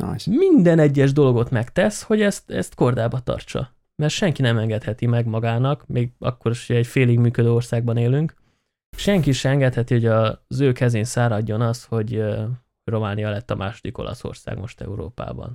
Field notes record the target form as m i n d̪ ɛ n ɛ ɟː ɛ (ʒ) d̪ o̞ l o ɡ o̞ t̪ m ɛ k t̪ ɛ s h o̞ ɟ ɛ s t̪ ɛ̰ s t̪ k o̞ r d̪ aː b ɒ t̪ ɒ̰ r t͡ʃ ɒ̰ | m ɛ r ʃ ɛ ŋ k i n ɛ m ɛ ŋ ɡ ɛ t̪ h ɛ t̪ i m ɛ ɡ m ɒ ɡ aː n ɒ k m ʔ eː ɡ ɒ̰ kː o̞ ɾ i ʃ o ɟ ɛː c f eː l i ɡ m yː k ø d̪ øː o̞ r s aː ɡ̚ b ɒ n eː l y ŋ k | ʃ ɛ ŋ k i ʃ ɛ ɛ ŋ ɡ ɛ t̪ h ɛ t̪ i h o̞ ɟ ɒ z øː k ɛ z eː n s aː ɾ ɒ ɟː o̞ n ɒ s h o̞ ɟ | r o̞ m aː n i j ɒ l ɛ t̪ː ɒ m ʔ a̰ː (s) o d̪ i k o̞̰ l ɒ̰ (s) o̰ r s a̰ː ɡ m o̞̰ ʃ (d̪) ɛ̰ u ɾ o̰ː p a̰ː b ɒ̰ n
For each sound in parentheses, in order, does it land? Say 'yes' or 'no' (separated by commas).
yes, no, yes, no